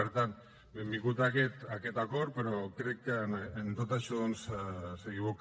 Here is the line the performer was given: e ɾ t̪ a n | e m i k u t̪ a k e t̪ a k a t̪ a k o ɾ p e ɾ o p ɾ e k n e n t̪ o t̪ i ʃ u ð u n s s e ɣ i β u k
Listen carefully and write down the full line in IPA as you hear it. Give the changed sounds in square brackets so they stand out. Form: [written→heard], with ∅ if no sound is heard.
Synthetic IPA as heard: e ɾ t̪ a n | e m i k u t̪ a k e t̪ a k [a→e] t̪ a k o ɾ p e ɾ o [p→k] ɾ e k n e n t̪ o t̪ [i→a] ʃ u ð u n s s e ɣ i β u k